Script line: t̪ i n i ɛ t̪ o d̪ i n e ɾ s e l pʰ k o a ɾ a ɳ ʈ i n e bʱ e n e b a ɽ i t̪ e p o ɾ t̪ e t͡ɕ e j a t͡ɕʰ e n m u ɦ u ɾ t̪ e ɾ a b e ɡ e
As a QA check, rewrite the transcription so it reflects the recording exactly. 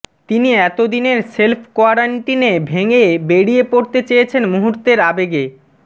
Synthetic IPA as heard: t̪ i n i ɛ t̪ o d̪ i n e ɾ s e l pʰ k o a ɾ a ɳ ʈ i n e bʱ e ŋ e b e ɽ i e p o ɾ t̪ e t͡ɕ e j e t͡ɕʰ e n m u ɦ u ɾ t̪ e ɾ a b e ɡ e